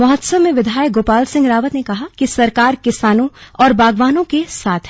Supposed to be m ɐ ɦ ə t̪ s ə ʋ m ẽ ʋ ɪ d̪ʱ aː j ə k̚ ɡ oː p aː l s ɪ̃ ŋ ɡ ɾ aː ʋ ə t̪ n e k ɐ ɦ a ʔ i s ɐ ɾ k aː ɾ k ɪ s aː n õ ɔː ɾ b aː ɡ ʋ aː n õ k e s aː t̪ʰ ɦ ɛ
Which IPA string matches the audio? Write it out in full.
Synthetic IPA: m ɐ ɦ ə t̪ s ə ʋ m ẽ ʋ ɪ d̪ʱ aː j ə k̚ ɡ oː p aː l s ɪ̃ ŋ ɡ ɾ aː ʋ ə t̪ n e k ɐ ɦ a k i s ɐ ɾ k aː ɾ k ɪ s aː n õ ɔː ɾ b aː ɡ ʋ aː n õ k e s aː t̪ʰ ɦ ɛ